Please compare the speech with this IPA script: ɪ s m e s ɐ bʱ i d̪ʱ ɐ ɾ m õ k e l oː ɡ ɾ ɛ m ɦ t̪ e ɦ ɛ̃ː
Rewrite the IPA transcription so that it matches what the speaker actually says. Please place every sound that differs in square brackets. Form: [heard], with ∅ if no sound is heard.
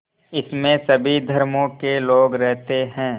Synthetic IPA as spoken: ɪ s m [ẽ] s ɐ bʱ i d̪ʱ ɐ ɾ m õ k e l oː ɡ ɾ ɛ [∅] ɦ t̪ e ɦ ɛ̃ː